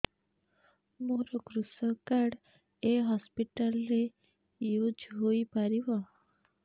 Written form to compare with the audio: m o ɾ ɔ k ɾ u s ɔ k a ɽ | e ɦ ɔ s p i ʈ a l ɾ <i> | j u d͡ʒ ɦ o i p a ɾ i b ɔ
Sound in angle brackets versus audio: incorrect: e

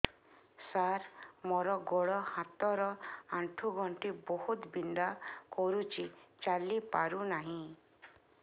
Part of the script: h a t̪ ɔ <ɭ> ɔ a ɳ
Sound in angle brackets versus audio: incorrect: ɾ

